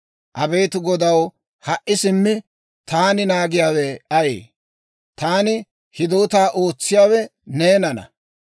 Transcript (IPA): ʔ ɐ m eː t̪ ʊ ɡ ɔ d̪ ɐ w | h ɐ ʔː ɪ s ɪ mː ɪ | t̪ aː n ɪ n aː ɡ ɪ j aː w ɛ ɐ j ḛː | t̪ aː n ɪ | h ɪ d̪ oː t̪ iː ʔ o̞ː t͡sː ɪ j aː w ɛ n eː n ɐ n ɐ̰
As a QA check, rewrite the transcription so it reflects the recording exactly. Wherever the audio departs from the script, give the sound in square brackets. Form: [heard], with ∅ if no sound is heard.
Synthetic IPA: ʔ ɐ [b] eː t̪ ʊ ɡ ɔ d̪ ɐ w | h ɐ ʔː ɪ s ɪ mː ɪ | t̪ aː n ɪ n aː ɡ ɪ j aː w ɛ ɐ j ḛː | t̪ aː n ɪ | h ɪ d̪ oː t̪ [aː] ʔ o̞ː t͡sː ɪ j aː w ɛ n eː n ɐ n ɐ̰